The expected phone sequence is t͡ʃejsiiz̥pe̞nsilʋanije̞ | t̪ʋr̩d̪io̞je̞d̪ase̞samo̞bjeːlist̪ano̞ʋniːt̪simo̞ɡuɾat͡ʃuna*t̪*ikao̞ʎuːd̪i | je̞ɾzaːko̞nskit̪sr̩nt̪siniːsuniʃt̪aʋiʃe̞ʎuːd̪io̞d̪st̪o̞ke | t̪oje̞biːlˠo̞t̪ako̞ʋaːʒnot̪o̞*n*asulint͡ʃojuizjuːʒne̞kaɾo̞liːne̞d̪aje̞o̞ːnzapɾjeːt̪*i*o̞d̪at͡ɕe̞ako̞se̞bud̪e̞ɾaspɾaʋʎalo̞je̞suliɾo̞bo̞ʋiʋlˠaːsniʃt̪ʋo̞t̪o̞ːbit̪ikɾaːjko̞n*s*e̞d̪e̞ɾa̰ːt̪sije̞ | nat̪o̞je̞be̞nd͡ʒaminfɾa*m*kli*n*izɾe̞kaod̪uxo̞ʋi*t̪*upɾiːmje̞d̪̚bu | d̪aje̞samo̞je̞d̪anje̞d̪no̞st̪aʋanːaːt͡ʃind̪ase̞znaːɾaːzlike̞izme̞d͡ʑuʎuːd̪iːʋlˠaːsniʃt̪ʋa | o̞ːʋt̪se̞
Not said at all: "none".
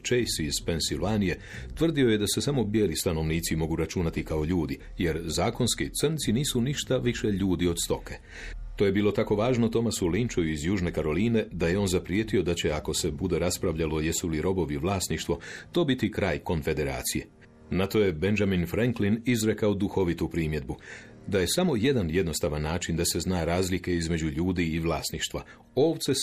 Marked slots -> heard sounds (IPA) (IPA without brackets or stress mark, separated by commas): t̪, m, i, f, ŋ, n, t̪